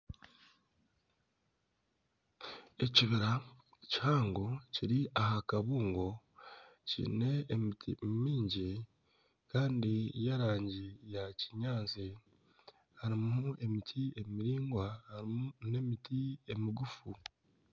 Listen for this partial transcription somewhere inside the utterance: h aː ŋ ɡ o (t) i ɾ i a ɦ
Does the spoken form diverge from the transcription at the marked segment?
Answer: yes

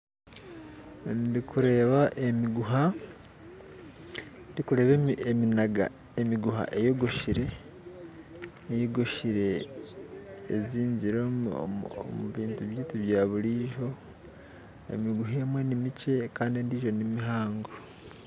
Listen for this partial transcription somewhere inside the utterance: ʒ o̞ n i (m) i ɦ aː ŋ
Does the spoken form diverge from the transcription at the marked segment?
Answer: no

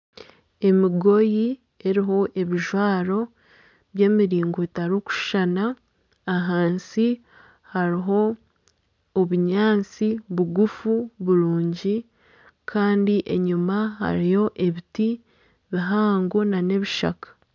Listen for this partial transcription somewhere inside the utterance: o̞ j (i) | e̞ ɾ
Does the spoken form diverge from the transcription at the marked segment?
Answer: no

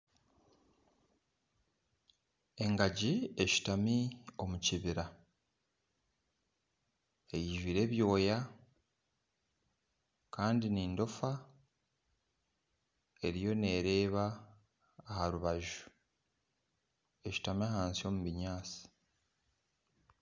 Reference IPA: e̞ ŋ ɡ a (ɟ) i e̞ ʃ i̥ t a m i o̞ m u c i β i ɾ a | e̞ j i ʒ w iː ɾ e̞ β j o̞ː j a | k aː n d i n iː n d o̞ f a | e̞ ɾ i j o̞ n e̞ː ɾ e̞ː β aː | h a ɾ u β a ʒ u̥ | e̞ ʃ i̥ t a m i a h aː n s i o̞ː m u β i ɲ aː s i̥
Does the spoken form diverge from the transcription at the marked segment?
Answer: no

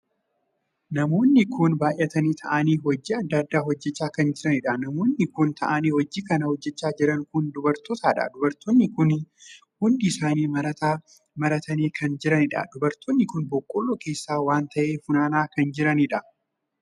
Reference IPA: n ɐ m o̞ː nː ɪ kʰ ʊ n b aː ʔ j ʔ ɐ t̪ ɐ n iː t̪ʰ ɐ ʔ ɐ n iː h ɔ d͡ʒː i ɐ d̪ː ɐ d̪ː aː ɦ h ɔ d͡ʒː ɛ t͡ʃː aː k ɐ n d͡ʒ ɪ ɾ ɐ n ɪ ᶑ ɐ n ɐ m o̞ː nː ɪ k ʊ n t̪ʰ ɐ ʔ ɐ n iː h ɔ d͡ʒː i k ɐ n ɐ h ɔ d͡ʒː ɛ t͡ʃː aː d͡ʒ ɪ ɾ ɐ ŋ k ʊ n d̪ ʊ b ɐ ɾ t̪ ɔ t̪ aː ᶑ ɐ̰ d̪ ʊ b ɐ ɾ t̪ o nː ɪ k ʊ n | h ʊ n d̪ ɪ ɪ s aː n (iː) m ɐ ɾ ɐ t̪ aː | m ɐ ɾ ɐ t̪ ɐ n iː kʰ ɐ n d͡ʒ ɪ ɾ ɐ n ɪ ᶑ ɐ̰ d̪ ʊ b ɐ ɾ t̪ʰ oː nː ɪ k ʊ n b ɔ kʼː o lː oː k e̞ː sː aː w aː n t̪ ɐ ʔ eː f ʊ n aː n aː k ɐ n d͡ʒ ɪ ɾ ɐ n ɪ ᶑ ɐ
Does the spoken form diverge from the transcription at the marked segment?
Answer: no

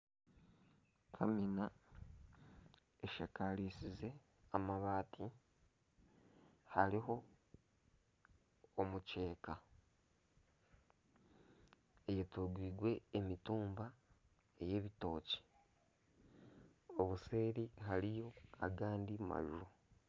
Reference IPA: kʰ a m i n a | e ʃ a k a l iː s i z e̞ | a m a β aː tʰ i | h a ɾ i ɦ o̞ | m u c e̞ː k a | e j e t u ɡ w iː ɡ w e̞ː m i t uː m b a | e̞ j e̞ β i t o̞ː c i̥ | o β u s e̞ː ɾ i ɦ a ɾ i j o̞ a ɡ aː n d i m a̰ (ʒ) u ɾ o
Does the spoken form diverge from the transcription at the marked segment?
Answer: no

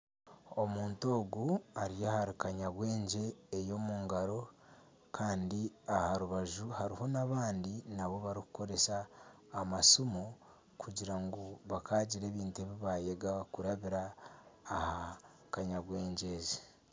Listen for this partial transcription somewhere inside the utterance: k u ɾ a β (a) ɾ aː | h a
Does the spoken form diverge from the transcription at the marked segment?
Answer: yes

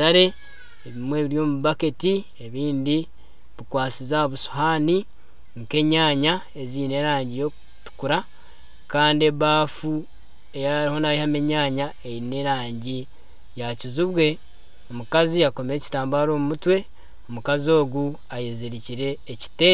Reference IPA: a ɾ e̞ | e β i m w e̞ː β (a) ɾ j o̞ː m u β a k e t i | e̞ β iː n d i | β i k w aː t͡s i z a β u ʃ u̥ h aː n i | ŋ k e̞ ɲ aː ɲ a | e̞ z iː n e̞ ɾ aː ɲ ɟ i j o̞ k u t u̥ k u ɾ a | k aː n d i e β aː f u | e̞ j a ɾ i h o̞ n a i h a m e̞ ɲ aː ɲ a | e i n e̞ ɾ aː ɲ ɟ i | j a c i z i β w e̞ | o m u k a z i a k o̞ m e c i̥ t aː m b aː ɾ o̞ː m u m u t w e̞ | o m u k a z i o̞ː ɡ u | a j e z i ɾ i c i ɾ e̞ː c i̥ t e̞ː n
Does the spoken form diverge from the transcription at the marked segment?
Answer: yes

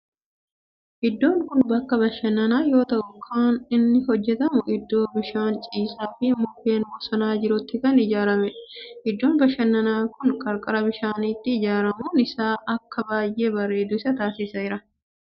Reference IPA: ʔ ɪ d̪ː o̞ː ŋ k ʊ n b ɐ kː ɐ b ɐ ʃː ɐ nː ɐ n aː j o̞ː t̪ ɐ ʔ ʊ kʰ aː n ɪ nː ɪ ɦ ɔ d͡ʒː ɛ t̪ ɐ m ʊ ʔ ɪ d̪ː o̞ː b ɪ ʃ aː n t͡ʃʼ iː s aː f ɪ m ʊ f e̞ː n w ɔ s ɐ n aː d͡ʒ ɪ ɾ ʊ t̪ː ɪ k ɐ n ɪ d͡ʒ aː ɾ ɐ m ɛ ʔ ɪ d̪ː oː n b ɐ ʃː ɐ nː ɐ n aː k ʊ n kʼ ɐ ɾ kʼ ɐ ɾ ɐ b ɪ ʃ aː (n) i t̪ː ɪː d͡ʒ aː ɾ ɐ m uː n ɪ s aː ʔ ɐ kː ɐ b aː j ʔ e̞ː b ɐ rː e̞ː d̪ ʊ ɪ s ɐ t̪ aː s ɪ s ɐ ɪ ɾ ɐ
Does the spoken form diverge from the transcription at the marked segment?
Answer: no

